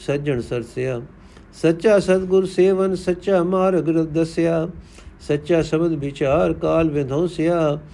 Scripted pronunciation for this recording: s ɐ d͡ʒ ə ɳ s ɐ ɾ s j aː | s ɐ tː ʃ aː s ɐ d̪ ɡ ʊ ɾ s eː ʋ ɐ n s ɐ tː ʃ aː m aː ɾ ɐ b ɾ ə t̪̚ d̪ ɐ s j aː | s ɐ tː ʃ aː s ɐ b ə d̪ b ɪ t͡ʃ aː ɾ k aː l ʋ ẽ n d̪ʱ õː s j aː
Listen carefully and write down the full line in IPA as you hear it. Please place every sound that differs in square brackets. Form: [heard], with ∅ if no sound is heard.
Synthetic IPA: s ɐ d͡ʒ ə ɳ s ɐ ɾ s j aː | s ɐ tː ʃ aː s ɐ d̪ ɡ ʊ ɾ s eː ʋ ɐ n s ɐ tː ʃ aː m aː ɾ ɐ [ɡ] ɾ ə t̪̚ d̪ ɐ s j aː | s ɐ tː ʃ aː s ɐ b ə d̪ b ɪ t͡ʃ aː ɾ k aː l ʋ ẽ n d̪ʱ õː s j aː